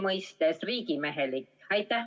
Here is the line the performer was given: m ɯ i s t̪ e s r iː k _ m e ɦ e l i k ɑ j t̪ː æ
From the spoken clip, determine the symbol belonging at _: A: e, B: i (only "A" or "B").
B